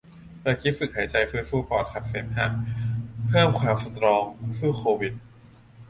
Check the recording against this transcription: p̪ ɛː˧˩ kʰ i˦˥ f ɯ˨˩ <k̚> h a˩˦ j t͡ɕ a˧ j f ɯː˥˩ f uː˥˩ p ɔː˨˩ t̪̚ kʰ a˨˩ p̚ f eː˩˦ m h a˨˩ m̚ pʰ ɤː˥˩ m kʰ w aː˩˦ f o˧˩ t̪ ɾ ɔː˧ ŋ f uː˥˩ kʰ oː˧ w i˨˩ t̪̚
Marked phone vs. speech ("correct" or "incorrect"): correct